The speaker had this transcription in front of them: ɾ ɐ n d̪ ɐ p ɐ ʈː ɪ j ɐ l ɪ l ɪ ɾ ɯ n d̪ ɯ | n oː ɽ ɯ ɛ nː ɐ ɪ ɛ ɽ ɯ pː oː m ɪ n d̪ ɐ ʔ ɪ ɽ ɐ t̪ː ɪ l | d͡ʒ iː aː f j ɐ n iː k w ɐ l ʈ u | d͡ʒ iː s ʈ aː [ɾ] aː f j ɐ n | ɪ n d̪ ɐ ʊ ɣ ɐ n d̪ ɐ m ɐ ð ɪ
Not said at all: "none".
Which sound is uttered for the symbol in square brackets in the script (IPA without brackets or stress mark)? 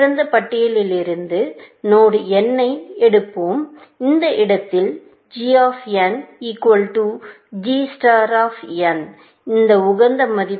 ɾ